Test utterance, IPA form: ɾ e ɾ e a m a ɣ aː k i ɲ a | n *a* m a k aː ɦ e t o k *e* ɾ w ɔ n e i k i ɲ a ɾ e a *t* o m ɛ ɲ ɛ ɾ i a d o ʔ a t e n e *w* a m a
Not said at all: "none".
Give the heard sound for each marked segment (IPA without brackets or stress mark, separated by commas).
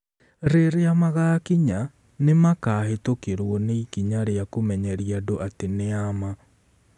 e, e, k, none